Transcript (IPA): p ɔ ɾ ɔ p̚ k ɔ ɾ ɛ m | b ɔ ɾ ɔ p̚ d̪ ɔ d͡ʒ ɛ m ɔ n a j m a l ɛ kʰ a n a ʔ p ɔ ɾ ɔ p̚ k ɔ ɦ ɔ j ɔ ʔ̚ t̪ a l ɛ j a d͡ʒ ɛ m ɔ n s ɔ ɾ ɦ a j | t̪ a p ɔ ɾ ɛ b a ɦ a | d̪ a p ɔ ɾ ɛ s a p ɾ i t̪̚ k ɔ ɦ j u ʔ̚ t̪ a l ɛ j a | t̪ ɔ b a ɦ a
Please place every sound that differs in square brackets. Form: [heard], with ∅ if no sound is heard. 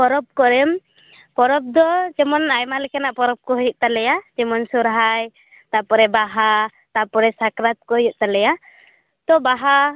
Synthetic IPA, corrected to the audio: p ɔ ɾ ɔ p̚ k ɔ ɾ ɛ m | [p] ɔ ɾ ɔ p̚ d̪ ɔ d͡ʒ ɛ m ɔ n a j m a l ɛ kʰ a n a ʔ p ɔ ɾ ɔ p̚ k ɔ ɦ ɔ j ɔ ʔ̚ t̪ a l ɛ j a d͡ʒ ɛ m ɔ n s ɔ ɾ ɦ a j | t̪ a p ɔ ɾ ɛ b a ɦ a | [t̪] a p ɔ ɾ ɛ s a [k] ɾ [a] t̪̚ k ɔ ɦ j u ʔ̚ t̪ a l ɛ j a | t̪ ɔ b a ɦ a